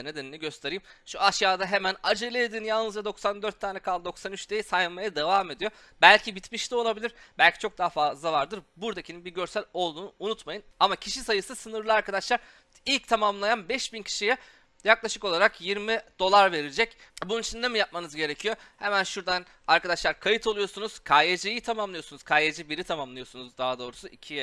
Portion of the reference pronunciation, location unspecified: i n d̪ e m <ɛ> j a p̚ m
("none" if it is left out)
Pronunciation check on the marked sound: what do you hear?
i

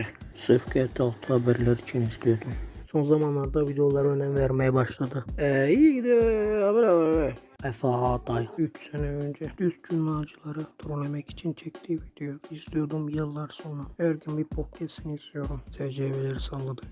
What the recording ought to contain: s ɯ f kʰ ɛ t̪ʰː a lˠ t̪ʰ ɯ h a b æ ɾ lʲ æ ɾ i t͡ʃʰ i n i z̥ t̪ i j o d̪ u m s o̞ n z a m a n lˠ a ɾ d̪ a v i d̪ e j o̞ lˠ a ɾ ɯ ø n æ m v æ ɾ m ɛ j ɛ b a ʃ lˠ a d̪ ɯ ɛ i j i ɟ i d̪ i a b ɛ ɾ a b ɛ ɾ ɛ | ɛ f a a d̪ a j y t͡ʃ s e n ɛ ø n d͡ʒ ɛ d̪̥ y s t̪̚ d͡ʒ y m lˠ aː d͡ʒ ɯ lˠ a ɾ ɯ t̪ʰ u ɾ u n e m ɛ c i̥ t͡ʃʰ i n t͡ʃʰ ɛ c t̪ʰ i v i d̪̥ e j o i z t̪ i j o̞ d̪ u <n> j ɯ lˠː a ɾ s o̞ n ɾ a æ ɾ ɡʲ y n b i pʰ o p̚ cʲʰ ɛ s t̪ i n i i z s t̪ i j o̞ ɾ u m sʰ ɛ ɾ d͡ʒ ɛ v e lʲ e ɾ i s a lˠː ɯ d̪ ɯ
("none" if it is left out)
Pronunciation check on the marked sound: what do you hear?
m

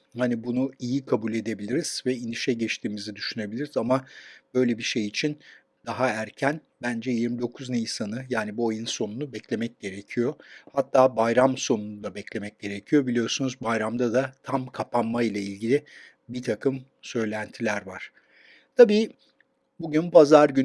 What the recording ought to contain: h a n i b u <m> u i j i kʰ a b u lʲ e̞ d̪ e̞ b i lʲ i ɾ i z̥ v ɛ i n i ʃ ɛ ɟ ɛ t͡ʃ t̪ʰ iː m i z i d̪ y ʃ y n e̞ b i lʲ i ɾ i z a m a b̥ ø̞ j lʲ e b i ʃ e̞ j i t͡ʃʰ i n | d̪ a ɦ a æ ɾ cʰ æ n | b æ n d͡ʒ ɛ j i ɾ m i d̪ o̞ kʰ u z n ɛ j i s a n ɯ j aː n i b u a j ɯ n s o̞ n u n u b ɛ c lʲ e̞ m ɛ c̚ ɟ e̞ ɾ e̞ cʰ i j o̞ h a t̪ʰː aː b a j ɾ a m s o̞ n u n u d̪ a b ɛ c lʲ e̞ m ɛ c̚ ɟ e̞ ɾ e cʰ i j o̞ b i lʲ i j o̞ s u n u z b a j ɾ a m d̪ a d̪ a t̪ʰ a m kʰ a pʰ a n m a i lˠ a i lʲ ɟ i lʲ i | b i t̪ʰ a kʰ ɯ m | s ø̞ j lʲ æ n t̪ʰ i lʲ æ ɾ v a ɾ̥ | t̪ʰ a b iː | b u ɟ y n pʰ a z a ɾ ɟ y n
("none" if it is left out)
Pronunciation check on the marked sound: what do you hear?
n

